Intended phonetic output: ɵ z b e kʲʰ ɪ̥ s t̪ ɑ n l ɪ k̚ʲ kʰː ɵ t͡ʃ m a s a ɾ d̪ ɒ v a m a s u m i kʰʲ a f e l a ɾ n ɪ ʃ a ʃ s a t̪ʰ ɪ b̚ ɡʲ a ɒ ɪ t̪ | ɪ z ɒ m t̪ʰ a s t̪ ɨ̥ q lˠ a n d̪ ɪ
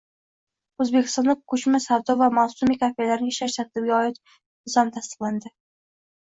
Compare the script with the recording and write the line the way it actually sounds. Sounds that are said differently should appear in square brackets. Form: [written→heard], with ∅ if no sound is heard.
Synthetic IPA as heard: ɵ z b e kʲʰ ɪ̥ s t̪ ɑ n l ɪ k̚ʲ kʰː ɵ t͡ʃ m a s a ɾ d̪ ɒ v a m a s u m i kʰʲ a f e l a ɾ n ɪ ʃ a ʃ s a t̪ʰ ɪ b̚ ɡʲ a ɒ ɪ t̪ | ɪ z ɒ m t̪ʰ a s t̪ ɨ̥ q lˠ a n d̪ ɪ